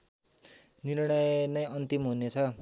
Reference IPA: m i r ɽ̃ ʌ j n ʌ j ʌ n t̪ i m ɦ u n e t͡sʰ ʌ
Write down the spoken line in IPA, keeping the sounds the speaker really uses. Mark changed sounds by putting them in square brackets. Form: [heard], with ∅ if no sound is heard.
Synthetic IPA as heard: [n] i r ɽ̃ ʌ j n ʌ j ʌ n t̪ i m ɦ u n e t͡sʰ ʌ